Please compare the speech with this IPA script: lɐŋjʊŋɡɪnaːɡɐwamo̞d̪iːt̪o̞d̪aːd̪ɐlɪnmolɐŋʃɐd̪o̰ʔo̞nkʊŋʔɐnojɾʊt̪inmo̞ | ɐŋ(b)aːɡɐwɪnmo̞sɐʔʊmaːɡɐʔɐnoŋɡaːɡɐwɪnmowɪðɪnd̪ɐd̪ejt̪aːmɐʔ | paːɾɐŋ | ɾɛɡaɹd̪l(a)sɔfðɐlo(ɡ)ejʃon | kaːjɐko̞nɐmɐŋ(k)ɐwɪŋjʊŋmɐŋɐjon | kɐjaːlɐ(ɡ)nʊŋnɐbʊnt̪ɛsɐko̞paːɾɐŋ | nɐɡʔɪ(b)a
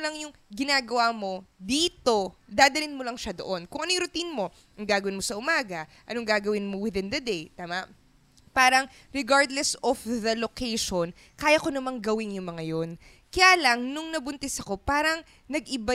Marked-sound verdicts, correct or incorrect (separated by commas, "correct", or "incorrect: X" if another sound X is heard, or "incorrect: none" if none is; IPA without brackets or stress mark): incorrect: ɡ, incorrect: ɛ, incorrect: k, incorrect: ɡ, incorrect: ŋ, correct